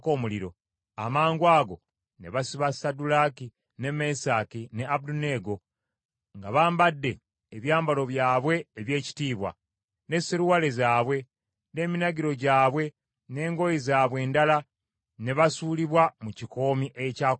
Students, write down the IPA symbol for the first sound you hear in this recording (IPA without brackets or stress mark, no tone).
k